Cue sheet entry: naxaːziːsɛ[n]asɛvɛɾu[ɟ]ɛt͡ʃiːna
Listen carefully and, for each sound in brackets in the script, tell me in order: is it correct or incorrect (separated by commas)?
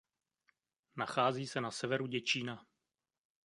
correct, correct